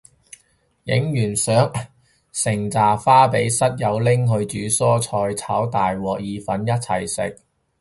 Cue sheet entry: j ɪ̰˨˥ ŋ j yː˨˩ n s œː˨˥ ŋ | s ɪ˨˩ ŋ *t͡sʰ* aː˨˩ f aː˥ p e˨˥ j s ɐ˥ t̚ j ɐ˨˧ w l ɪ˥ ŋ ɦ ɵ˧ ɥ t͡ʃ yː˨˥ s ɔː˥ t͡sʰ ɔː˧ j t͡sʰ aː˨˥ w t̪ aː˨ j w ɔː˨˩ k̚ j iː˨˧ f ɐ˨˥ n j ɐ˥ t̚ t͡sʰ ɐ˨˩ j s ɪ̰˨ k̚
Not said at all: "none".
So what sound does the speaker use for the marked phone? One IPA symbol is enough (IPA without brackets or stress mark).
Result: t͡s